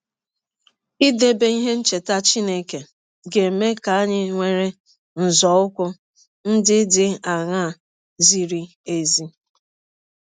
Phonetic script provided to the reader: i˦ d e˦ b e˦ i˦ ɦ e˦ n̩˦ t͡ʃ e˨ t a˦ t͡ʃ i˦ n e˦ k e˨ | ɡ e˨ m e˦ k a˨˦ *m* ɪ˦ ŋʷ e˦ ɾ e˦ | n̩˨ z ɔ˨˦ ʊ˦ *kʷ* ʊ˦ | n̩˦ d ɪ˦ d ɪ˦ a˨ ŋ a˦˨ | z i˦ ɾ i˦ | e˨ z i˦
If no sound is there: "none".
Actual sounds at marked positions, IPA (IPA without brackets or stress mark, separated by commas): ɲ, kʷ